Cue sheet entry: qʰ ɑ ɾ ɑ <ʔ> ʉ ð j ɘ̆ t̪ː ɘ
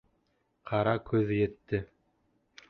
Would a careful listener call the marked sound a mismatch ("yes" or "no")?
yes